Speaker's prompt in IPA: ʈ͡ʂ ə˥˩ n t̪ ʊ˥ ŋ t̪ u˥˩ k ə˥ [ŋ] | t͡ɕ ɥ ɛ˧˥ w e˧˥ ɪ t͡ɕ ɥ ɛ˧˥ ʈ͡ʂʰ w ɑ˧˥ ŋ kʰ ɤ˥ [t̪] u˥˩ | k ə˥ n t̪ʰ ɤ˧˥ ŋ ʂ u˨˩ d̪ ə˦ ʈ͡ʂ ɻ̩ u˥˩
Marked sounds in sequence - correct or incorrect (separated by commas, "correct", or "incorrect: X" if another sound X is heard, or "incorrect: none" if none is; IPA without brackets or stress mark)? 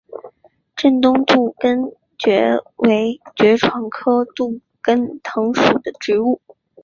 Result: incorrect: n, correct